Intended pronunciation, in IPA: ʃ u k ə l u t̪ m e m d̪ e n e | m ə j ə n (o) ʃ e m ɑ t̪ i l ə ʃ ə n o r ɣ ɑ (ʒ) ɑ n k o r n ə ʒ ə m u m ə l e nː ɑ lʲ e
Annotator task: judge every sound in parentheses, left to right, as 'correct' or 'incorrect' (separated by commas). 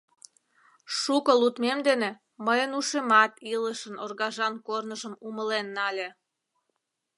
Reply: incorrect, correct